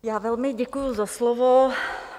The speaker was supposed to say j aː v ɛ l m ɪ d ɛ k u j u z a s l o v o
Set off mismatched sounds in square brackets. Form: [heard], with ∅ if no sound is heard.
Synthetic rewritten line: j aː v ɛ l m ɪ [ɟ] ɛ k u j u z a s l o v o

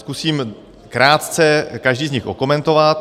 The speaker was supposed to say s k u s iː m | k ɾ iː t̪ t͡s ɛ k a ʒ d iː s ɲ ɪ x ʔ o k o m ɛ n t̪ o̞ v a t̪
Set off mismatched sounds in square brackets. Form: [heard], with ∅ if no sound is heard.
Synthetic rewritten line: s k u s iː m | k ɾ [aː] t̪ t͡s ɛ k a ʒ d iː [z] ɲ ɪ x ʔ o k o m ɛ n t̪ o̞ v a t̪

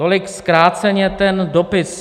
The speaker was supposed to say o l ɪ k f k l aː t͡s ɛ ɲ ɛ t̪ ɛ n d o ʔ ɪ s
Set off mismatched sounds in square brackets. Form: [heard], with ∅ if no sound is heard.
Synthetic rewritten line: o l ɪ k [s] k [ɾ] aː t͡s ɛ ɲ ɛ t̪ ɛ n d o [p] ɪ s

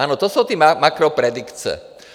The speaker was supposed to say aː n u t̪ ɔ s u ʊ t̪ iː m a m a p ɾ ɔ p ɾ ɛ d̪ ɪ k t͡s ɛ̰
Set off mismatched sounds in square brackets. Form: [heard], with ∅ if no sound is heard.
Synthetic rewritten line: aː n [ɔ] t̪ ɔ s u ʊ t̪ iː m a m a [k] ɾ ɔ p ɾ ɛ d̪ [i] k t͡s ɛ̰

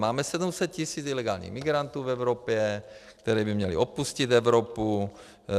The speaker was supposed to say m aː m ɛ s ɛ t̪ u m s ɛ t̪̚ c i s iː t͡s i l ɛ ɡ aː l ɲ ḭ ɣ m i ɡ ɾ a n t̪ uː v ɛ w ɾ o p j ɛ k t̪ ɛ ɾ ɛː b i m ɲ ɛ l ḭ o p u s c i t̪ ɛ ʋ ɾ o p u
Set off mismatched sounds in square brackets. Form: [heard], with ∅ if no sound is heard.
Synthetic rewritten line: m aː m ɛ s ɛ [d̪] u m s ɛ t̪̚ c i s iː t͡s i l ɛ ɡ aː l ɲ ḭ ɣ m i ɡ ɾ a n t̪ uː v ɛ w ɾ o p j ɛ k t̪ ɛ ɾ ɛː b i m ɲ ɛ l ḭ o p u s c i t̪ ɛ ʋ ɾ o p u

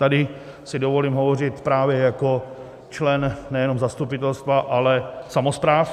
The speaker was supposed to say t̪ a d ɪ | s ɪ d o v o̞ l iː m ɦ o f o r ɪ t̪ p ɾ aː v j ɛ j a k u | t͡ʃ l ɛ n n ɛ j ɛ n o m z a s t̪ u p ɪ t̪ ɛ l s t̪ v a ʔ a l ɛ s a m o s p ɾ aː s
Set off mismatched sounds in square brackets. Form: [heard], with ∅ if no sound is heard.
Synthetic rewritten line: t̪ a d ɪ | s ɪ d o v o̞ l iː m ɦ o [v] o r ɪ t̪ p ɾ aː v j ɛ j a k [o] | t͡ʃ l ɛ n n ɛ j ɛ n o m z a s t̪ u p ɪ t̪ ɛ l s t̪ v a ʔ a l ɛ s a m o s p ɾ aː [f]

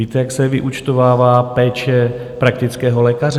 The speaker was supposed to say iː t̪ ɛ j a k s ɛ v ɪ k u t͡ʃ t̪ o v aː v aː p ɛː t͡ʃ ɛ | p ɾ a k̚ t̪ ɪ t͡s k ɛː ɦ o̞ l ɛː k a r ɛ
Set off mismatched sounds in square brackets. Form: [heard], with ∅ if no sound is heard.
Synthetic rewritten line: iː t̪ ɛ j a k s ɛ v ɪ [ʔ] u t͡ʃ t̪ o v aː v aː p ɛː t͡ʃ ɛ | p ɾ a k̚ t̪ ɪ t͡s k ɛː ɦ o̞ l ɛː k a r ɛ

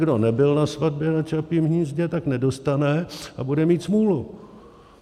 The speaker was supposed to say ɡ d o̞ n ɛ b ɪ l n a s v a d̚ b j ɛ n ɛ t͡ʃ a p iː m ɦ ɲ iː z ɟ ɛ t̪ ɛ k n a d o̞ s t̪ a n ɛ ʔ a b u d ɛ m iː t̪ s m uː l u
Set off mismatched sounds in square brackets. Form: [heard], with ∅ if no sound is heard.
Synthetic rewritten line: ɡ d o̞ n ɛ b ɪ l n a s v a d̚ b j ɛ n [a] t͡ʃ a p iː m ɦ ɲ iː z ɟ ɛ t̪ [a] k n [ɛ] d o̞ s t̪ a n ɛ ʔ a b u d ɛ m iː t̪ s m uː l u

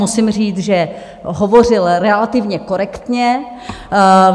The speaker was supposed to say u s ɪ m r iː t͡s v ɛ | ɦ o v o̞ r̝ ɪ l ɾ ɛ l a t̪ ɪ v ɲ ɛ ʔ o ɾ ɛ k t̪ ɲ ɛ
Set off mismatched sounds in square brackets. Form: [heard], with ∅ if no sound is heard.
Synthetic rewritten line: u s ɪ m r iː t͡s [ʒ] ɛ | ɦ o v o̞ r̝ ɪ l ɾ ɛ l a t̪ ɪ v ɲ ɛ [k] o ɾ ɛ k t̪ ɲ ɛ

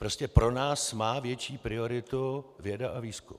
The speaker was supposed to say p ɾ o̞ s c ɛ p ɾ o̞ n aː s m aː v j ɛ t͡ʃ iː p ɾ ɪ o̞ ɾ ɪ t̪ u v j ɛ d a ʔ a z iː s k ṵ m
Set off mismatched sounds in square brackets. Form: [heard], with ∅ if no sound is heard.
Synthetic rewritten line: p ɾ o̞ s c ɛ p ɾ o̞ n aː s m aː v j ɛ t͡ʃ iː p ɾ ɪ o̞ ɾ ɪ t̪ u v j ɛ d a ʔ a [v] iː s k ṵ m

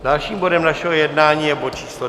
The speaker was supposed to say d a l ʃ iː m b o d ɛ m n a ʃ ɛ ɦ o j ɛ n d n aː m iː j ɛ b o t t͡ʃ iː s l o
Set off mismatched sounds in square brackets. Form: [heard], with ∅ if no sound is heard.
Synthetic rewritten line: d a l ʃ iː m b o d ɛ m n a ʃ ɛ ɦ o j ɛ [∅] d n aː [ɲ] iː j ɛ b o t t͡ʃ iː s l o

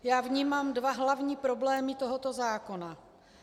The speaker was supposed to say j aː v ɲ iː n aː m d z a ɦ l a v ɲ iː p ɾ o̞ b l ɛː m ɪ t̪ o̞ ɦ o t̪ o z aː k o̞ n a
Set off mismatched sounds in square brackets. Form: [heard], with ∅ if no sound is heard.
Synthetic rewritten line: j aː v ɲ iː [m] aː m d [v] a ɦ l a v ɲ iː p ɾ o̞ b l ɛː m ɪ t̪ o̞ ɦ o t̪ o z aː k o̞ n a

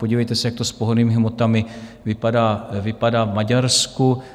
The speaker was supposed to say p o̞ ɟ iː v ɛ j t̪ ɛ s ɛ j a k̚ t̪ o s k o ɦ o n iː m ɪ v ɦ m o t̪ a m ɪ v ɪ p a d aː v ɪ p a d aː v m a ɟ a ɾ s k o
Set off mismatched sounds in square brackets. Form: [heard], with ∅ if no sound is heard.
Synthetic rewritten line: p o̞ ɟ iː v ɛ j t̪ ɛ s ɛ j a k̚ t̪ o s [p] o ɦ o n iː m ɪ [∅] ɦ m o t̪ a m ɪ v ɪ p a d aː v ɪ p a d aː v m a ɟ a ɾ s k [u]

